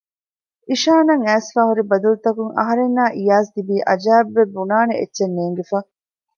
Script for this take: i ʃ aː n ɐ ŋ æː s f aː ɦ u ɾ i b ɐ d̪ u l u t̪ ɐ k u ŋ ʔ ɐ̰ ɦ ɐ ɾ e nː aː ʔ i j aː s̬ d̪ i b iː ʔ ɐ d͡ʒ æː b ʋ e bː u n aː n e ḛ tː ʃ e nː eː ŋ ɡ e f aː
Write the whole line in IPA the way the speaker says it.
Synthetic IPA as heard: i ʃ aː n ɐ ŋ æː s f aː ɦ u ɾ i b ɐ d̪ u l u t̪ ɐ k u ŋ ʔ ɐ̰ ɦ ɐ ɾ e nː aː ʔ i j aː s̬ d̪ i b iː ʔ ɐ d͡ʒ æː b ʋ e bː u n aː n e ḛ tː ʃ e nː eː ŋ ɡ e f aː